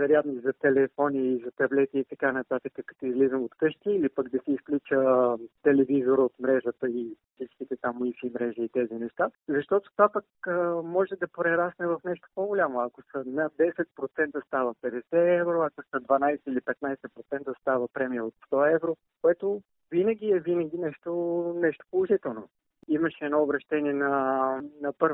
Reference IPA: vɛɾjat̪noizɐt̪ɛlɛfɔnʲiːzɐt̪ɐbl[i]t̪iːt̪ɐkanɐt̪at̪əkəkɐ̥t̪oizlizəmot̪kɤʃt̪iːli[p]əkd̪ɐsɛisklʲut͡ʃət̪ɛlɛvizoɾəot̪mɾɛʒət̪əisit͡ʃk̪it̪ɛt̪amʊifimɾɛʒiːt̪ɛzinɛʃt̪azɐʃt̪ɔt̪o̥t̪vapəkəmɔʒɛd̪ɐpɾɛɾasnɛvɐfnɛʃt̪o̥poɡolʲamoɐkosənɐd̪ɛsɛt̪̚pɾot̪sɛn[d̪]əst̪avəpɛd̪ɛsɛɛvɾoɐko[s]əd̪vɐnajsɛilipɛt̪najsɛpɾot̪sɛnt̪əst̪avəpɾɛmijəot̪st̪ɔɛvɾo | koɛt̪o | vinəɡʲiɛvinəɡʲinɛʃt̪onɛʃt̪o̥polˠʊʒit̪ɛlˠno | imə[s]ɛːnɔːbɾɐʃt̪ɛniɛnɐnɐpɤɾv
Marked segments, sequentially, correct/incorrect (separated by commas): incorrect, correct, incorrect, correct, incorrect